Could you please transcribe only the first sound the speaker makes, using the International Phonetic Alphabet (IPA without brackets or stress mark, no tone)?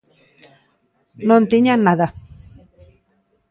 n